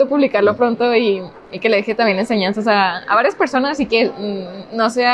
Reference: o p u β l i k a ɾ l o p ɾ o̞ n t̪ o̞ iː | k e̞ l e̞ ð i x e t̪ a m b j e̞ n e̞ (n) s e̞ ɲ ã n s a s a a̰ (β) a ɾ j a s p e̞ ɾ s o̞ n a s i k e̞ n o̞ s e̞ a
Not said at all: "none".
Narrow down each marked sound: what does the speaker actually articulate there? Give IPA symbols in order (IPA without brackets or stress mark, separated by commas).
n, β